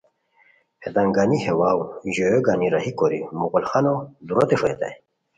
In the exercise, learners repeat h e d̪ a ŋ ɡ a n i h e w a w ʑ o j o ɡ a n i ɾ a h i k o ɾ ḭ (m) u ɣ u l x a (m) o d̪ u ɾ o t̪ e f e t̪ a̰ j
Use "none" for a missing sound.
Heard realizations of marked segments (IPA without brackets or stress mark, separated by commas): m, n